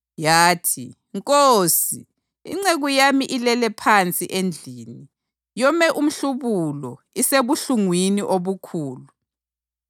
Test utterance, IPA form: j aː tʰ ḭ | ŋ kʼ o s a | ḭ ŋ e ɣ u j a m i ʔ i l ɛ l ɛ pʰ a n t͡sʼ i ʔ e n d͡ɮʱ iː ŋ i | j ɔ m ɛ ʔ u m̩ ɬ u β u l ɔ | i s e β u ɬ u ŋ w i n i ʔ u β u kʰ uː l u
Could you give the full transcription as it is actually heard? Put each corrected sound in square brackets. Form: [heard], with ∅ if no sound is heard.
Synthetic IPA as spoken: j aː tʰ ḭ | ŋ kʼ o s [i] | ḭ [ŋ͡ǀ] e ɣ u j a m i ʔ i l ɛ l ɛ pʰ a n t͡sʼ i ʔ e n d͡ɮʱ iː [n] i | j ɔ m ɛ ʔ u m̩ ɬ u β u l ɔ | i s e β u ɬ u ŋ w i n i ʔ [o] β u kʰ uː l u

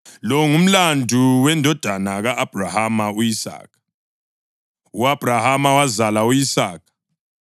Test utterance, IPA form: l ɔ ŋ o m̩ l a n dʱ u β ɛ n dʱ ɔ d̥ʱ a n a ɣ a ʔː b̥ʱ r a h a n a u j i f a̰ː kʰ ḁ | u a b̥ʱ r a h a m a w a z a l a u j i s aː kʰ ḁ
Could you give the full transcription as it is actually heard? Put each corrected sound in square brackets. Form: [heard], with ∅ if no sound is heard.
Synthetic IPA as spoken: l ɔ ŋ [u] m̩ l a n dʱ u [w] ɛ n dʱ ɔ d̥ʱ a n a ɣ a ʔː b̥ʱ r a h a [m] a u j i [s] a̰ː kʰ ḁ | u a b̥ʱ r a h a m a w a z a l a u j i s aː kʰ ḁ

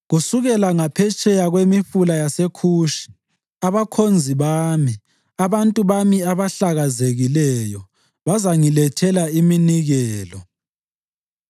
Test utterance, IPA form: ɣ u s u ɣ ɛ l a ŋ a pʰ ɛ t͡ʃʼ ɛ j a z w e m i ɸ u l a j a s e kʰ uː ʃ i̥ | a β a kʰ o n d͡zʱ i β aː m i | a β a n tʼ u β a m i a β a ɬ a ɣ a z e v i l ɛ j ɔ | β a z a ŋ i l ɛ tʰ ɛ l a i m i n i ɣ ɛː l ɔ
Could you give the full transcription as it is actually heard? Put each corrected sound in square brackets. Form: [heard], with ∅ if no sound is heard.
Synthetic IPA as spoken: ɣ u s u ɣ ɛ l a ŋ a pʰ ɛ t͡ʃʼ ɛ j a [ɣ] w e m i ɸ u l a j a s e kʰ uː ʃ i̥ | a β a kʰ o n d͡zʱ i β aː m i | a β a n tʼ u β a m i a β a ɬ a ɣ a z e [ɣ] i l ɛ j ɔ | β a z a ŋ i l ɛ tʰ ɛ l a i m i n i ɣ ɛː l ɔ

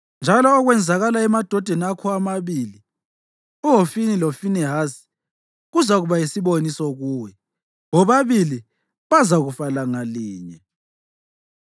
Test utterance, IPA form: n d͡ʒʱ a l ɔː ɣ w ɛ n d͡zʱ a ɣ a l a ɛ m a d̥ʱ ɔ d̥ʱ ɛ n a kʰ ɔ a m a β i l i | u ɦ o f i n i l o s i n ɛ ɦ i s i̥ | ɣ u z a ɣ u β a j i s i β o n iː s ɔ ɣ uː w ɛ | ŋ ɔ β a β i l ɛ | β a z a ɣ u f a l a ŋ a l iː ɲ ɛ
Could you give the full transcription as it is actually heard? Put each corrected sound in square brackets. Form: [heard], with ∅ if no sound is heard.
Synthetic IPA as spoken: n d͡ʒʱ a l ɔː ɣ w ɛ n d͡zʱ a ɣ a l a ɛ m a d̥ʱ ɔ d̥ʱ ɛ n a kʰ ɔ a m a β i l i | u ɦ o f i n i l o [f] i n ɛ ɦ [a] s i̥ | ɣ u z a ɣ u β a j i s i β o n [i] s ɔ ɣ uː w ɛ | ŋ ɔ β a β i l [i] | β a z a ɣ u f a l a ŋ a l iː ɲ ɛ

